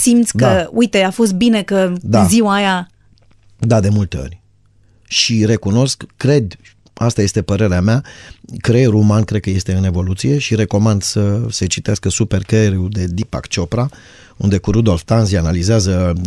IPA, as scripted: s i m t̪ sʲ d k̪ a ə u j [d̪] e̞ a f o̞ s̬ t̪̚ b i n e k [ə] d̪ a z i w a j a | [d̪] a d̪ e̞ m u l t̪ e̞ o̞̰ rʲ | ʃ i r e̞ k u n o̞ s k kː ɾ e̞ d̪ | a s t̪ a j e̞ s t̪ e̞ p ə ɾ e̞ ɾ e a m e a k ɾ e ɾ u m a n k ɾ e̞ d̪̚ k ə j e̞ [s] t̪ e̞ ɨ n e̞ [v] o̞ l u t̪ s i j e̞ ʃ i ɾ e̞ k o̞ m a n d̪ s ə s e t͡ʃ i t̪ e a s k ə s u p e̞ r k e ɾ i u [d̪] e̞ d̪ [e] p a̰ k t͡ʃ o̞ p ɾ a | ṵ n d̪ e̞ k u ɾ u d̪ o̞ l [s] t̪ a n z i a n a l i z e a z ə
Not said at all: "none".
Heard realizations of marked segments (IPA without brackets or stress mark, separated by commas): t̪, ə, d̪, s, v, d̪, i, f